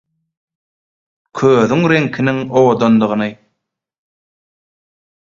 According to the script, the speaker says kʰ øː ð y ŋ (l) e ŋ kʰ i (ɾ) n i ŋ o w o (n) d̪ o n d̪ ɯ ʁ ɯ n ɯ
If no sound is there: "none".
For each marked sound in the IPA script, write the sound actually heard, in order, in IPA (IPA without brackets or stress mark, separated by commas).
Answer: ɾ, none, none